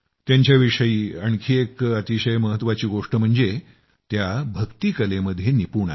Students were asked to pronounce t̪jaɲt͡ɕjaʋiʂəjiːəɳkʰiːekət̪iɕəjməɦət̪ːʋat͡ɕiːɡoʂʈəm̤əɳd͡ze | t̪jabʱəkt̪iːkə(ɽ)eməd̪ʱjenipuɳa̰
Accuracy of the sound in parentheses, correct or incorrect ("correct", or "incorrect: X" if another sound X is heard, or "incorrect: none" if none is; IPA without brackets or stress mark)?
incorrect: l